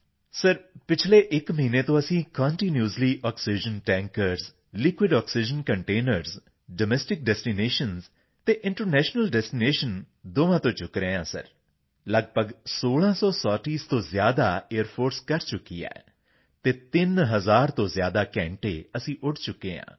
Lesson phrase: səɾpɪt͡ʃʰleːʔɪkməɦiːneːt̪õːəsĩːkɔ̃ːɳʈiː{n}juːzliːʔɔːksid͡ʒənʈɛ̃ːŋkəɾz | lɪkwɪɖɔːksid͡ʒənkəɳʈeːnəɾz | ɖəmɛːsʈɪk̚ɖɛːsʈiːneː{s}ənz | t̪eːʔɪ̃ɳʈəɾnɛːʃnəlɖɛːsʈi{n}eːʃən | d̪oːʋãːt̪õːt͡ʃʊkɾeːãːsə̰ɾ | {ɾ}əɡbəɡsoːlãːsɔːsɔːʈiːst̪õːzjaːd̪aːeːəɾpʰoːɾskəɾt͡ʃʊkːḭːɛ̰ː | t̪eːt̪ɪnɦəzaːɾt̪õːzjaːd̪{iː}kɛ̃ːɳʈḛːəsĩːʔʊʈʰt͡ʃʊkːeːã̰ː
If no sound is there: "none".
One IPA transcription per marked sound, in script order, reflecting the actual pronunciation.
n, ʃ, n, l, aː

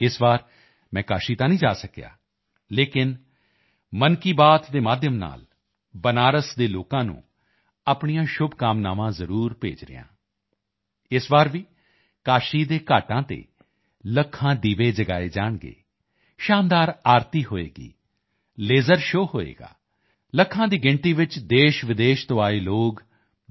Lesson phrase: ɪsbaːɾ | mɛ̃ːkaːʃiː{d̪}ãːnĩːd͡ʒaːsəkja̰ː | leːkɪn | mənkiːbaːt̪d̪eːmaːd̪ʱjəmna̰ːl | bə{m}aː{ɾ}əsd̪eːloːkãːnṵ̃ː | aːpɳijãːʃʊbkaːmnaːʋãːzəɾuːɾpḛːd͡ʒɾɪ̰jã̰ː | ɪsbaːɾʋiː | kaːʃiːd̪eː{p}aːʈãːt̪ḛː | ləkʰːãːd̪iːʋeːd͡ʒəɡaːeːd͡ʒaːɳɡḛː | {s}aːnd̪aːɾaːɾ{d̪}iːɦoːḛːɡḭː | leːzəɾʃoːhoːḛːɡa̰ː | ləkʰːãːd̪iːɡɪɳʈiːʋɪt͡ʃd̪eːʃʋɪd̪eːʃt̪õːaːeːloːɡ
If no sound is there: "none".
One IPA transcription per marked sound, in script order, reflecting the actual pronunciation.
t̪, n, ɾ, k, ʃ, t̪

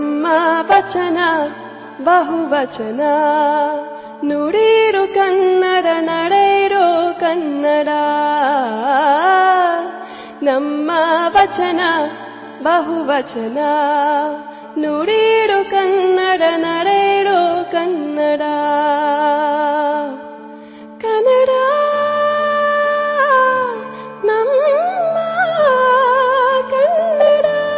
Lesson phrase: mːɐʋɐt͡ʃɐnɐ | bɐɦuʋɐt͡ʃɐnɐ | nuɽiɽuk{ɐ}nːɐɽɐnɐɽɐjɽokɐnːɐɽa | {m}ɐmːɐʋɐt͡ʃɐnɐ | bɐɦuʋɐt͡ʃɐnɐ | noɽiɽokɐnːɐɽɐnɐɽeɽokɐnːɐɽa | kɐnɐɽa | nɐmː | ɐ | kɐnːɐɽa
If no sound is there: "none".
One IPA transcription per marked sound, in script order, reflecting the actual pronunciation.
ɐ, n

